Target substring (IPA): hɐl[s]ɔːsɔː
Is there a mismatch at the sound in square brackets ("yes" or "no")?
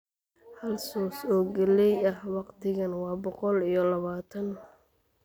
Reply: no